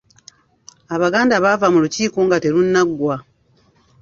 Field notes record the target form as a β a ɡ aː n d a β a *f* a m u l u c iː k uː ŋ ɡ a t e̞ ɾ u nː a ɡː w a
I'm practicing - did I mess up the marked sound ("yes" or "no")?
yes